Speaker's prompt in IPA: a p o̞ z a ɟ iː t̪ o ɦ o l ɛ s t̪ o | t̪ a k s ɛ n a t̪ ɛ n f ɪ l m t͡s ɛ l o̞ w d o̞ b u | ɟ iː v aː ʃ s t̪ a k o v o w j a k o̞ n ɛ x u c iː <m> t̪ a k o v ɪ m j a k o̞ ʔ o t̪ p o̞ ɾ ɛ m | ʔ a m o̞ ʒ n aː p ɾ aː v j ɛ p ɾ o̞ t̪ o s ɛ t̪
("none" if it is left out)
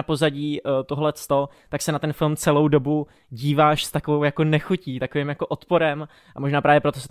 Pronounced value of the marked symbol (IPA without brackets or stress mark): none